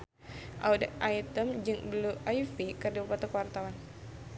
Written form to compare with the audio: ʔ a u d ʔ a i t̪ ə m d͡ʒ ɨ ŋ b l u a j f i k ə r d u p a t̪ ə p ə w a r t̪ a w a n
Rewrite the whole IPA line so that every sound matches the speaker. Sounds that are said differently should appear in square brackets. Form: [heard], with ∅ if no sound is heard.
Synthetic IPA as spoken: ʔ a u d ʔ a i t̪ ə m d͡ʒ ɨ ŋ b l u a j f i k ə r d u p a t̪ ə [k] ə w a r t̪ a w a n